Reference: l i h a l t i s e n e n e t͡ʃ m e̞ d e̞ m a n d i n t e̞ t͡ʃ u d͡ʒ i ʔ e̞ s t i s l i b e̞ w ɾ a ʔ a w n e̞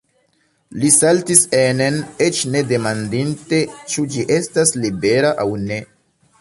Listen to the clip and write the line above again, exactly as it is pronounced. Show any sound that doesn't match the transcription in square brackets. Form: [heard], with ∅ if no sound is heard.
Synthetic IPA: l i [s] a l t i s e n e n e t͡ʃ [n] e̞ d e̞ m a n d i n t e̞ t͡ʃ u d͡ʒ i ʔ e̞ s t [a] s l i b e̞ [∅] ɾ a ʔ a w n e̞

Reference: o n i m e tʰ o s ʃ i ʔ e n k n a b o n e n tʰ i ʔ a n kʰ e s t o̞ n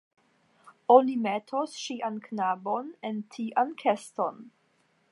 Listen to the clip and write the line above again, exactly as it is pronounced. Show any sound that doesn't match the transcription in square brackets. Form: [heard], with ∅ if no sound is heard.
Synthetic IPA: o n i m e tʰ o s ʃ i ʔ [a] n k n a b o n e n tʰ i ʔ a n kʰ e s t o̞ n

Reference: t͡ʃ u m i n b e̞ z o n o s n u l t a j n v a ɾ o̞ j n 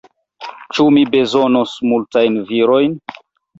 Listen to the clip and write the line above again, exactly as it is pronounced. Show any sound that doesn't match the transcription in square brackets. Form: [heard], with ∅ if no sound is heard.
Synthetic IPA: t͡ʃ u m i [∅] b e̞ z o n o s [m] u l t a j n v [i] ɾ o̞ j n

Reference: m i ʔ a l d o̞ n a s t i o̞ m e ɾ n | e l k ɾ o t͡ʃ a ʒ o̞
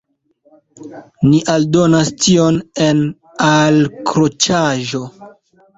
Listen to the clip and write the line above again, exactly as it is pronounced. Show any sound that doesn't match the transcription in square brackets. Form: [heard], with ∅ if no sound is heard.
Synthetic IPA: [n] i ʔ a l d o̞ n a s t i o̞ [n] e [∅] n | [a] l k ɾ o t͡ʃ a ʒ o̞

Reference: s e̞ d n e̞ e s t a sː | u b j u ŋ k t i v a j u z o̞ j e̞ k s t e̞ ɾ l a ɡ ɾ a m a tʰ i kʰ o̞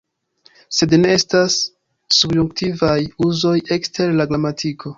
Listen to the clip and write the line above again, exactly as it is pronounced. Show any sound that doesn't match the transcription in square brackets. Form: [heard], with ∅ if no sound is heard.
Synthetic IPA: s e̞ d n e̞ e s t a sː | u b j u ŋ k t i v a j u z o̞ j e̞ k s t e̞ ɾ l a ɡ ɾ a m a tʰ i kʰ o̞

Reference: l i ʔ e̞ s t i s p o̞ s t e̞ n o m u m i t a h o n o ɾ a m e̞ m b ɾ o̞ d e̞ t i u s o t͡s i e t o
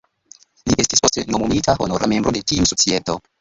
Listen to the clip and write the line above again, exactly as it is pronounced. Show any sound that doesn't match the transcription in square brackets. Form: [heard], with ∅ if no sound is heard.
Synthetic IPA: l i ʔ e̞ s t i s p o̞ s t e̞ n o m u m i t a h o n o ɾ a m e̞ m b ɾ o̞ d e̞ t i u s o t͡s i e t o

